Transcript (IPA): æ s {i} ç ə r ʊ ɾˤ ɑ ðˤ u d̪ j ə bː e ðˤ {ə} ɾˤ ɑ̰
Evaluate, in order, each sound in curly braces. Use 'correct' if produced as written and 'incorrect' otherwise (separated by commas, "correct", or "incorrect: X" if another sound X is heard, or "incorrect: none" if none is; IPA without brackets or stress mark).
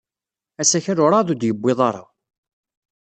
incorrect: æ, incorrect: ɑ